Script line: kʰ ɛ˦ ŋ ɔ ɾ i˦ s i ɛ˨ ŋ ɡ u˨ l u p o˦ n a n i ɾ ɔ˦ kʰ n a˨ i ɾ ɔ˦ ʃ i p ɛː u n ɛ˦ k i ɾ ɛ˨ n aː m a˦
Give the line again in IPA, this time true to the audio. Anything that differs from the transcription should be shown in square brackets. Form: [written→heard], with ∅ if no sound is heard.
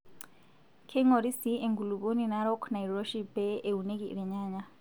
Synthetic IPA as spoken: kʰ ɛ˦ ŋ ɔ ɾ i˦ s i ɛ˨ ŋ ɡ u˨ l u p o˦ n [a→i] n [i→a] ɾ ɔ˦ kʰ n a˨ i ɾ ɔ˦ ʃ i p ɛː u n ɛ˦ k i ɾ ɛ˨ [n→ɲ] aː [m→ɲ] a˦